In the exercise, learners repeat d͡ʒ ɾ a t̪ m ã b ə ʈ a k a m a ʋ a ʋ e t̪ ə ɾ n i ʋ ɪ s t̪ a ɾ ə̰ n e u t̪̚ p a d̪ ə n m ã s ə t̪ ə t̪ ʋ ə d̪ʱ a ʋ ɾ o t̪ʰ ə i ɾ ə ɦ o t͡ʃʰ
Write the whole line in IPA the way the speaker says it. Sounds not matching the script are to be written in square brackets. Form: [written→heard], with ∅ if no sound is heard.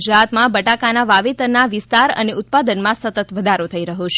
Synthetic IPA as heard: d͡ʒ ɾ a t̪ m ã b ə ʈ a k a [m→n] a ʋ a ʋ e t̪ ə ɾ n [i→a] ʋ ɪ s t̪ a ɾ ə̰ n e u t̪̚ p a d̪ ə n m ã s ə t̪ ə t̪ ʋ ə d̪ʱ a [ʋ→∅] ɾ o t̪ʰ ə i ɾ ə ɦ o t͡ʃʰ